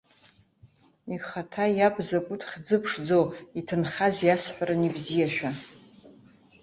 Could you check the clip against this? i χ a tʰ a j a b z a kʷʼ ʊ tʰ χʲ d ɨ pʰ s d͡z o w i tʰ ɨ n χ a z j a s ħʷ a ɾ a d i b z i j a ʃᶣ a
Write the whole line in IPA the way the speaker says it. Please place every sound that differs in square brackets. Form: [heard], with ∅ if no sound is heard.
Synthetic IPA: i χ a tʰ a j a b z a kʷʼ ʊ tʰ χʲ [d͡z] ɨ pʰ [ʂ] d͡z o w i tʰ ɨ n χ a z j a s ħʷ a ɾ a [n] i b z i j a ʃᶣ a